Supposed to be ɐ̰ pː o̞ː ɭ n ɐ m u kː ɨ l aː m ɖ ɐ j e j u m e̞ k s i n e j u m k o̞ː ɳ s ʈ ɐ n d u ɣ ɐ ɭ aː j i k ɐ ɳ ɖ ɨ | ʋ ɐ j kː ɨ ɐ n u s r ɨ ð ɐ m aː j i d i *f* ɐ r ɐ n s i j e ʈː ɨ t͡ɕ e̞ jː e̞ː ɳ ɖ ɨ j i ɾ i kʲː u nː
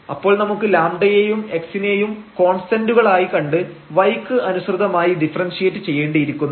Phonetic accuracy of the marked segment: correct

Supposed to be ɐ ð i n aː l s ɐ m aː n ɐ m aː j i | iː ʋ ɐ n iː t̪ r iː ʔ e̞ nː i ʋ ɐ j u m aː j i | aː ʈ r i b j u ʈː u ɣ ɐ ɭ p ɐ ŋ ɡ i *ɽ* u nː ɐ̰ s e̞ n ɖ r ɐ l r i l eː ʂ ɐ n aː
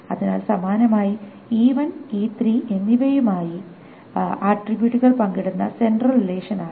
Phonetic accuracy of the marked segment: correct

